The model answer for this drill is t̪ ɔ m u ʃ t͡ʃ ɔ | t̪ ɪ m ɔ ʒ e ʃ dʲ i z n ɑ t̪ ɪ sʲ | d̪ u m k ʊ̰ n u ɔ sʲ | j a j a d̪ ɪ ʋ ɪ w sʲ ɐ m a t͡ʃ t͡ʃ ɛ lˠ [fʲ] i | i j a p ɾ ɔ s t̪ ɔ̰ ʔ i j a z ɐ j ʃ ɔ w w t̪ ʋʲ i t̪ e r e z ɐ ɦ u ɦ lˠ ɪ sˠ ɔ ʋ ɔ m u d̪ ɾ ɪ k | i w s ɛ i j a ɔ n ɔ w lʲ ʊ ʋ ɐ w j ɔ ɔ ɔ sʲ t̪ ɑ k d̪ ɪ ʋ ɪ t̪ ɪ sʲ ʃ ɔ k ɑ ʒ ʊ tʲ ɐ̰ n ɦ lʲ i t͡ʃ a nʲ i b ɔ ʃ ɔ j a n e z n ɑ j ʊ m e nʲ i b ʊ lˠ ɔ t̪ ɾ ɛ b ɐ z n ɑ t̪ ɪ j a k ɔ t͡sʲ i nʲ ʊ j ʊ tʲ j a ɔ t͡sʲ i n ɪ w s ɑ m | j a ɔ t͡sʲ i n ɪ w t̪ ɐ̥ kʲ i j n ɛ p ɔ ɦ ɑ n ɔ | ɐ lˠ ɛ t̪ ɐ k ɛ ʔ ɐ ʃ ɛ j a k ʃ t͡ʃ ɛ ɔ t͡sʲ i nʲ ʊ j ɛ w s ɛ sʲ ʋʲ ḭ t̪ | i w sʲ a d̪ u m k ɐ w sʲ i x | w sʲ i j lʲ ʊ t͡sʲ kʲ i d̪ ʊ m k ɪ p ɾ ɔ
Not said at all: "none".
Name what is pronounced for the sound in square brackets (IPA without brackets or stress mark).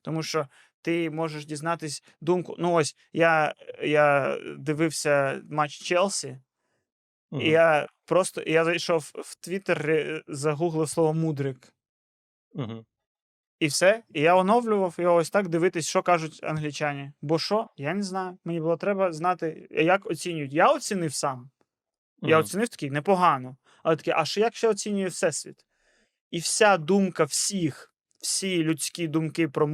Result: sʲ